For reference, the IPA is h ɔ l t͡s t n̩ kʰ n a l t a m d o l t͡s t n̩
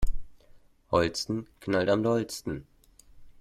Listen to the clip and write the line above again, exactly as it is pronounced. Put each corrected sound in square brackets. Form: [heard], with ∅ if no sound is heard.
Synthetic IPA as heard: h ɔ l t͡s t n̩ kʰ n a l t a m d [ɔ] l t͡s t n̩